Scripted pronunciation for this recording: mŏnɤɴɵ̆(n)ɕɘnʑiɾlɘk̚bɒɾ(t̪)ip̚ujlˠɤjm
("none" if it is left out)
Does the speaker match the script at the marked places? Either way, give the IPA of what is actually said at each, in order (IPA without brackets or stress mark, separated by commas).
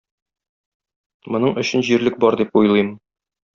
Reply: none, d̪